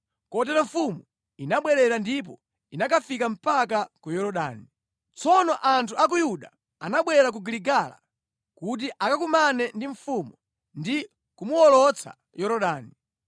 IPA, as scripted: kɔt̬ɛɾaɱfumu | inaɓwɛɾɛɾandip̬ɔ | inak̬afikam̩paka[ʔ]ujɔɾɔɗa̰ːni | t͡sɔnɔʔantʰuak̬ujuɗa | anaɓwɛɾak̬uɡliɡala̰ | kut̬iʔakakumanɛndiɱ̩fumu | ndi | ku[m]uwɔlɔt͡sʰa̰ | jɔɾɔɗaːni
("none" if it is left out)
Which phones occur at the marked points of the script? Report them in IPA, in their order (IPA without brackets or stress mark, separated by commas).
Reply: k, m